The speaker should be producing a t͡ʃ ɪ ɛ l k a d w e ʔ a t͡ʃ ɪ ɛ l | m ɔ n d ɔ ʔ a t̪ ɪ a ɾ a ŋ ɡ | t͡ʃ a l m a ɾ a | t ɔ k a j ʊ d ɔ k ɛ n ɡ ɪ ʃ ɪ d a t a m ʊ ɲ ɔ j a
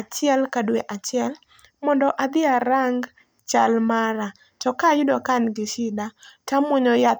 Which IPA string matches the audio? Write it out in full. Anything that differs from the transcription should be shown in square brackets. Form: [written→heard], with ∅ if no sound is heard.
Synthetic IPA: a t͡ʃ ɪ ɛ l k a d w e ʔ a t͡ʃ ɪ ɛ l | m ɔ n d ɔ ʔ a [t̪→d̪] ɪ a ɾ a ŋ ɡ | t͡ʃ a l m a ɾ a | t ɔ k a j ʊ d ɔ k [ɛ→a] n ɡ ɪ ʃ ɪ d a t a m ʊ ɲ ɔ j a